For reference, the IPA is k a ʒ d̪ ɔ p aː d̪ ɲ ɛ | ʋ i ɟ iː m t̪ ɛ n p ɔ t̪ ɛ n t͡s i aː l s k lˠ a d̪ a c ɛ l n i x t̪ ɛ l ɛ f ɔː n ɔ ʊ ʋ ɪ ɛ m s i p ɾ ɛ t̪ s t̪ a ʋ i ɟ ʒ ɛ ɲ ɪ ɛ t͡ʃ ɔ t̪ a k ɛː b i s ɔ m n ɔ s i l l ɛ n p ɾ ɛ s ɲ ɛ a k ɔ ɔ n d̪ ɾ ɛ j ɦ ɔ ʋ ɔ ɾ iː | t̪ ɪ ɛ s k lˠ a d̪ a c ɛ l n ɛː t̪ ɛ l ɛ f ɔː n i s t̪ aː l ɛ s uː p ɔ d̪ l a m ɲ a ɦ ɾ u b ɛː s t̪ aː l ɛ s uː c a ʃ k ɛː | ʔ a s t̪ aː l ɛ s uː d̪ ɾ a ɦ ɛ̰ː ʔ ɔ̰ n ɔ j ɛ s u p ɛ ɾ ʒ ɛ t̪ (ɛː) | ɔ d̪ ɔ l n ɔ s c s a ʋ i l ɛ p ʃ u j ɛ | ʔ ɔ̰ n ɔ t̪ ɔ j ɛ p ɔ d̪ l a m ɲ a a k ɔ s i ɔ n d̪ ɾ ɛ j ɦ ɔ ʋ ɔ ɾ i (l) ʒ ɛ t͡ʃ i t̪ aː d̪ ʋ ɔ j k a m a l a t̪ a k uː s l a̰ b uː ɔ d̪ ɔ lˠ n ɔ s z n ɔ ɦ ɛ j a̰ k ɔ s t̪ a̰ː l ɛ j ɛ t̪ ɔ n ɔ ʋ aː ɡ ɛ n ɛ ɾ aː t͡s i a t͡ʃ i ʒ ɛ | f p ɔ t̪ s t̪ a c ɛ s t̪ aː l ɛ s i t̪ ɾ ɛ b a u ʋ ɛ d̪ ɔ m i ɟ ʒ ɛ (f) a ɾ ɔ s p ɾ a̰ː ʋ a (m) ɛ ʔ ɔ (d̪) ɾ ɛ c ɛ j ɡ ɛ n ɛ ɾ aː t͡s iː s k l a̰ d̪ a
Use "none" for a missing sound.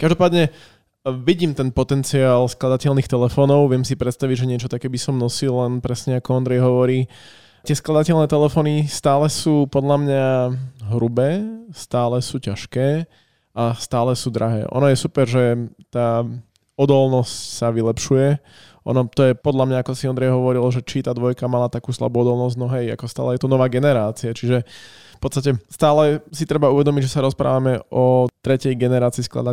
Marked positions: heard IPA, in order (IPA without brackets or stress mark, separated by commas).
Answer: aː, l, s, m, t̪